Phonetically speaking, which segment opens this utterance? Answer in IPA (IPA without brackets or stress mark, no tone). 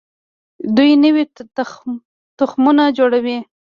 d̪